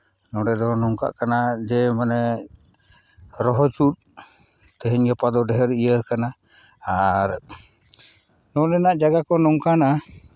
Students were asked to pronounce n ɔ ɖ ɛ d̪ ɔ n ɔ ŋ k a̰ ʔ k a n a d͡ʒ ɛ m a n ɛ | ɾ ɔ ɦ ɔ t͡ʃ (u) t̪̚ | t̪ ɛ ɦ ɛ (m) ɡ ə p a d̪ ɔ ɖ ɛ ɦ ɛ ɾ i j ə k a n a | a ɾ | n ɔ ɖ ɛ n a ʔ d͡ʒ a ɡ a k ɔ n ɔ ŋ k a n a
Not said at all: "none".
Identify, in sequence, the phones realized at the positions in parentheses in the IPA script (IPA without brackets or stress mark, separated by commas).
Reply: u, ɲ